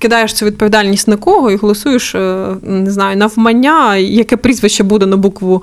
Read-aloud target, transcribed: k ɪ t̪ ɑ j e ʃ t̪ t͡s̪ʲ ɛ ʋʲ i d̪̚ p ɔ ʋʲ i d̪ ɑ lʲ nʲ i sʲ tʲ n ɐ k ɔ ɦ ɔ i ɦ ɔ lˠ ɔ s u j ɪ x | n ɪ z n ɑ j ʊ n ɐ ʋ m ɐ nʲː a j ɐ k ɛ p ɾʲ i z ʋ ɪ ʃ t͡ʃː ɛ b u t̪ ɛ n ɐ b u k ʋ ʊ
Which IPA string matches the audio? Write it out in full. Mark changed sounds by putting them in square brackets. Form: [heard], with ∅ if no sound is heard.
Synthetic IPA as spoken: k ɪ [d̪] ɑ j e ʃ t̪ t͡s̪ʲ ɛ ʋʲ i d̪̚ p ɔ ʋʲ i d̪ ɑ lʲ nʲ i sʲ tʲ n ɐ k ɔ ɦ ɔ i ɦ ɔ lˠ ɔ s u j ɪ [ʃ] | n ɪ z n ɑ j ʊ n ɐ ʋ m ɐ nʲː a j ɐ k ɛ p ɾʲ i z ʋ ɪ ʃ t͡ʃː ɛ b u [d̪] ɛ n ɐ b u k ʋ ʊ